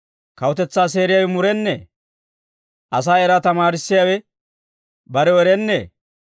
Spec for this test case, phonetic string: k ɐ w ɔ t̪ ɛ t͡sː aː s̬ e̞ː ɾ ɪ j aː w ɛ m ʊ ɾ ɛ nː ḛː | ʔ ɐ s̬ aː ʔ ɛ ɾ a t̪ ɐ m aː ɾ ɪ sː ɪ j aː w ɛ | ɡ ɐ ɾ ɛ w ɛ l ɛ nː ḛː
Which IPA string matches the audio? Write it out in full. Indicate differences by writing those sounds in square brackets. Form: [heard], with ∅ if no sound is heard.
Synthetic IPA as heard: k ɐ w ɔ t̪ ɛ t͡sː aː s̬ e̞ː ɾ ɪ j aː w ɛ m ʊ ɾ ɛ nː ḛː | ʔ ɐ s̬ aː [∅] ɛ ɾ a t̪ ɐ m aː ɾ ɪ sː ɪ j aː w ɛ | [b] ɐ ɾ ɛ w ɛ [ɾ] ɛ nː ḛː